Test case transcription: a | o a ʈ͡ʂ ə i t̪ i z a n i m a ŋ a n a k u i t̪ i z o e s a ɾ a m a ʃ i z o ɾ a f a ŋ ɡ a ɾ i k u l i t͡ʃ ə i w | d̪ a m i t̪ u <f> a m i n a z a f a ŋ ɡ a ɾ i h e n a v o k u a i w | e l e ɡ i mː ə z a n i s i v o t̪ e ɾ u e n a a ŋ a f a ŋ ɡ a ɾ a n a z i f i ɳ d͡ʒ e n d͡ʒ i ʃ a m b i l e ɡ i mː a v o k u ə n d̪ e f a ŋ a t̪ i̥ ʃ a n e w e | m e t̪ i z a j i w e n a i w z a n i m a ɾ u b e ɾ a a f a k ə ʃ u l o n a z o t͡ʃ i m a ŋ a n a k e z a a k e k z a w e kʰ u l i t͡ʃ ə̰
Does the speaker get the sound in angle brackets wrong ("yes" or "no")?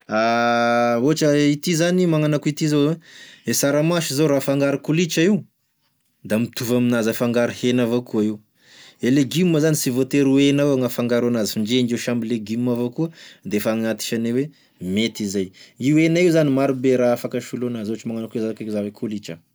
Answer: yes